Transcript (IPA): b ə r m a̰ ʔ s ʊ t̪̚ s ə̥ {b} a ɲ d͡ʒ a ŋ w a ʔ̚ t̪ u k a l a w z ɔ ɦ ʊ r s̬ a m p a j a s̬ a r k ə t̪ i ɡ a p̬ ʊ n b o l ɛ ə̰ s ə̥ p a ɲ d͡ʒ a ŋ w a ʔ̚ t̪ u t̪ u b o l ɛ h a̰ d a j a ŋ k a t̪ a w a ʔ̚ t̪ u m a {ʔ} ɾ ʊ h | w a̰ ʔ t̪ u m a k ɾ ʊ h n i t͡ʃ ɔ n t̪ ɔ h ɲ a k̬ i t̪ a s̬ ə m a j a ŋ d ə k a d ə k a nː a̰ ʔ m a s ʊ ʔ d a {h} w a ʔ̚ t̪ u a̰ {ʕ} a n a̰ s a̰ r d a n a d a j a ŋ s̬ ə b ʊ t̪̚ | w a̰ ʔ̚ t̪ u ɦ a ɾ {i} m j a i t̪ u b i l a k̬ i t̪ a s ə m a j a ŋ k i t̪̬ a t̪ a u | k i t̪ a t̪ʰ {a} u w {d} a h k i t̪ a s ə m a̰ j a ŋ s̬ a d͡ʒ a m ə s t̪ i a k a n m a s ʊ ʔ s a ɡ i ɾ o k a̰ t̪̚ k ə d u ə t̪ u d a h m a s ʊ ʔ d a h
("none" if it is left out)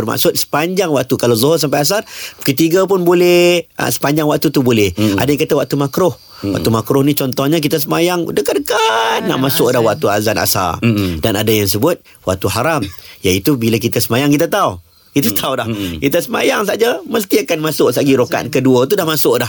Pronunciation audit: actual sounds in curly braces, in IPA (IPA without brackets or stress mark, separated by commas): p, k, h, z, a, a, d